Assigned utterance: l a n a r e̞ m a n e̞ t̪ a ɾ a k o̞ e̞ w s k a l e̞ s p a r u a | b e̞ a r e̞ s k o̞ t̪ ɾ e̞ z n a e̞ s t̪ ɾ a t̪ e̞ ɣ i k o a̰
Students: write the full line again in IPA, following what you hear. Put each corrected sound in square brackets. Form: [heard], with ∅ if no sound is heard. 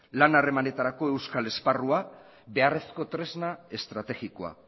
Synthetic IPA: l a n a r e̞ m a n e̞ t̪ a ɾ a k o̞ e̞ w s k a l e̞ s p a r u a | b e̞ a r e̞ s k o̞ t̪ ɾ e̞ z n a e̞ s t̪ ɾ a t̪ e̞ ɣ i k o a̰